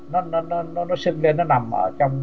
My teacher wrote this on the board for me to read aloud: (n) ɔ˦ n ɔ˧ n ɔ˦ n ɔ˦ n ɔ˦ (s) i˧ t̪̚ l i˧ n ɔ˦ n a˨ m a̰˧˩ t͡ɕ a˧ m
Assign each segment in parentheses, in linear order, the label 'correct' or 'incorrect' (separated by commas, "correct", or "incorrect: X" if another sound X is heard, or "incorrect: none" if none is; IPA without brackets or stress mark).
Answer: correct, correct